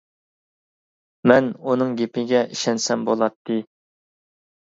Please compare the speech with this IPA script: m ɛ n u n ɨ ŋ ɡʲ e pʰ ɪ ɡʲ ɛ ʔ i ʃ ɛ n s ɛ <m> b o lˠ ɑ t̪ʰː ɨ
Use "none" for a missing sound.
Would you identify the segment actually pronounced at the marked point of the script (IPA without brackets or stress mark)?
m